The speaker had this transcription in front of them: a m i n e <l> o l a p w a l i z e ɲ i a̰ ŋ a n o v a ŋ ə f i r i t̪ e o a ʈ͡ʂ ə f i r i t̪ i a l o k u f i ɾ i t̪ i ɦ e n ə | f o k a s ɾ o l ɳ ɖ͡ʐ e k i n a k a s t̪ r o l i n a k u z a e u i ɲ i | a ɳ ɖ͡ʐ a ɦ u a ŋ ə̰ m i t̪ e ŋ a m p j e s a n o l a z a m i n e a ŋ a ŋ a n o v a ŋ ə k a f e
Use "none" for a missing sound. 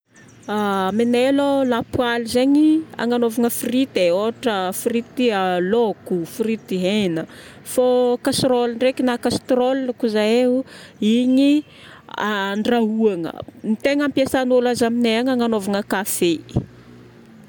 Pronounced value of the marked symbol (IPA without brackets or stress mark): l